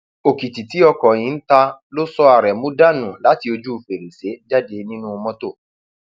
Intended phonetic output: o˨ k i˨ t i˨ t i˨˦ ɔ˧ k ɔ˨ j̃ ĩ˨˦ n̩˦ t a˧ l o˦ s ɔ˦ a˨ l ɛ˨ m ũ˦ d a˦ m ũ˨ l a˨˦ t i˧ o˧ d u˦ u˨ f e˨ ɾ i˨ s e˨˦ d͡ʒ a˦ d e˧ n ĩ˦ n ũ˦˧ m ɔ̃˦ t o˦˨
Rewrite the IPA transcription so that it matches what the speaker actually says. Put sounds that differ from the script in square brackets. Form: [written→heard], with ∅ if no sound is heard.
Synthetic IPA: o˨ k i˨ t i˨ t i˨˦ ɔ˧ k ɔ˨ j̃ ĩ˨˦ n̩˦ t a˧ l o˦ s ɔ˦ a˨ [l→ɾ] ɛ˨ m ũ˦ d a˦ [m→n] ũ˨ l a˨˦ t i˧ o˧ [d→d͡ʒ] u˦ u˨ f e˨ ɾ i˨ s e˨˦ d͡ʒ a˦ d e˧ n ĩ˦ n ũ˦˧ m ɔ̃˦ t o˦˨